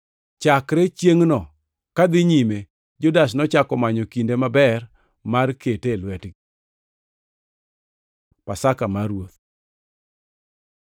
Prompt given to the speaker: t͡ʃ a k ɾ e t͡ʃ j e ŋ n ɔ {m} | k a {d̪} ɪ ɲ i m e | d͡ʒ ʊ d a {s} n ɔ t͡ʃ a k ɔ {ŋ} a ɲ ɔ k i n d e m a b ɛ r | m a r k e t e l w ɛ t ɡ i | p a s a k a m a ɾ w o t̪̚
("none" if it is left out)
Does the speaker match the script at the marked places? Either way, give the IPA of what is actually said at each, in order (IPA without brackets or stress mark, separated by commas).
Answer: none, d̪, s, m